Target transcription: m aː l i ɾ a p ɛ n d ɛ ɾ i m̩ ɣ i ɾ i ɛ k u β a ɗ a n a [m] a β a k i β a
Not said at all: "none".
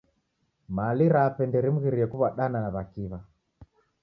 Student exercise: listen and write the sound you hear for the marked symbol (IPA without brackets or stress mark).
n